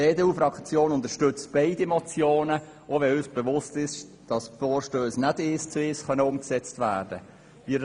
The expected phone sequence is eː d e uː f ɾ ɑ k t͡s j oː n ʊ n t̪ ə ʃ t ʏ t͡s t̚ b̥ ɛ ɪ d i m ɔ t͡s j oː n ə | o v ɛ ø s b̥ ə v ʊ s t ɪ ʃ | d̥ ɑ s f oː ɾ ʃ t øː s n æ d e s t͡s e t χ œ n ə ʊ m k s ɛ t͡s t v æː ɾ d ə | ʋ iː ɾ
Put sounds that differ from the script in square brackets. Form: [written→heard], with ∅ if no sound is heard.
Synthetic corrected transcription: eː d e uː f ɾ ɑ k t͡s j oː n ʊ n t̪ ə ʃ t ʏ t͡s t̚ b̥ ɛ ɪ d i m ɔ t͡s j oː n ə | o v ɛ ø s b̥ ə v ʊ s t ɪ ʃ | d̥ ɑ s f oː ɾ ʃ t øː s n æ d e s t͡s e [t→s] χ œ n ə ʊ m k s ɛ t͡s t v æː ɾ d ə | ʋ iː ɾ